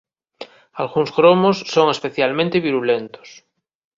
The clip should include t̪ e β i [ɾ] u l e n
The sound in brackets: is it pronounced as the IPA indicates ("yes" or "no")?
yes